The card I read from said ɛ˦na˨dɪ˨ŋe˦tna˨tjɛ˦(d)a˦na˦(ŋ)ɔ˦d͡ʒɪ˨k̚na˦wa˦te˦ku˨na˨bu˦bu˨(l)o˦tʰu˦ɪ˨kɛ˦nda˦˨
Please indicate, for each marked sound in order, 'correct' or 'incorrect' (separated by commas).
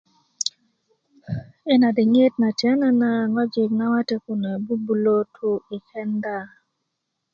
incorrect, correct, correct